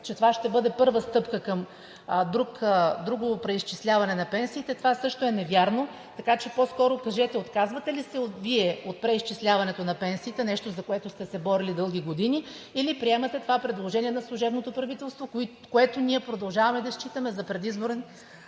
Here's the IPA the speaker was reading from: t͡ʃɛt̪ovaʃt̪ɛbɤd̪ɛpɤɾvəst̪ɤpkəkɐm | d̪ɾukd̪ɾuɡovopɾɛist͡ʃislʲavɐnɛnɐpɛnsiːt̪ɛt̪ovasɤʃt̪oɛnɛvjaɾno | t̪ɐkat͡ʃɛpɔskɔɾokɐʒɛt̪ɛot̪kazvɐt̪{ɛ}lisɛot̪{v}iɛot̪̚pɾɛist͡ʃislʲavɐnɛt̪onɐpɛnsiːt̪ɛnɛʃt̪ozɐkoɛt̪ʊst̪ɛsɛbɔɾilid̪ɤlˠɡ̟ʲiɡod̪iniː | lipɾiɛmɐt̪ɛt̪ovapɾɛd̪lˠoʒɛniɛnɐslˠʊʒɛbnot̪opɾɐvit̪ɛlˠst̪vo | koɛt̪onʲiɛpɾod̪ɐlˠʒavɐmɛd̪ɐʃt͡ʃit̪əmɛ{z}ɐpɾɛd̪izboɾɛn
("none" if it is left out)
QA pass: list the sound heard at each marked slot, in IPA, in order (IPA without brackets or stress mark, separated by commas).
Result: ɛ, v, z